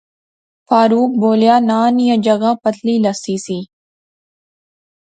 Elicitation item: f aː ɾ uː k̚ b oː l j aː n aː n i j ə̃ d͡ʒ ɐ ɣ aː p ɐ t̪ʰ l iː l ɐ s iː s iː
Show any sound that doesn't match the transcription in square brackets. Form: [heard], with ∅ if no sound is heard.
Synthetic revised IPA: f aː ɾ uː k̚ b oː l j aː n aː n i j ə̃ d͡ʒ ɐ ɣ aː p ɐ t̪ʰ l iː l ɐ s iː s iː